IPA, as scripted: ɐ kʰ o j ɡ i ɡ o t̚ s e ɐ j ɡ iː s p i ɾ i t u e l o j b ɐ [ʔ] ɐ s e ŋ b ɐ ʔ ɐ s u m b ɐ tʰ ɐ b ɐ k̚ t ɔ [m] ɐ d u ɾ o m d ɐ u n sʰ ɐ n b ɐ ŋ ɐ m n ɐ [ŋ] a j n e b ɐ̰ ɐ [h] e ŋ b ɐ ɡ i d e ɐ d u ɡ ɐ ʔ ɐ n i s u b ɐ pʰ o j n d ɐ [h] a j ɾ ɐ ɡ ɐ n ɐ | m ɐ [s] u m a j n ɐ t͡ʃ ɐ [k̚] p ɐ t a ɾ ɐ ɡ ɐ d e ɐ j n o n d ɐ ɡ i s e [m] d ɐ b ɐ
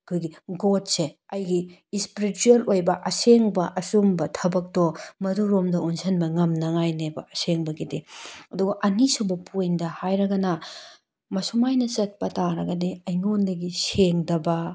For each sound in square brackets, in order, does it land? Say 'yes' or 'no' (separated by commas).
yes, yes, yes, no, yes, yes, no, no